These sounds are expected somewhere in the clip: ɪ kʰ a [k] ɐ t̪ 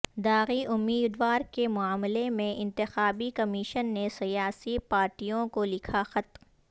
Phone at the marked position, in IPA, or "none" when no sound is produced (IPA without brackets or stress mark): x